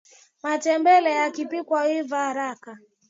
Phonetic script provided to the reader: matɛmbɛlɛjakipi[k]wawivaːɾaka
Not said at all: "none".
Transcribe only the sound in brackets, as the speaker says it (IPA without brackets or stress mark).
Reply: k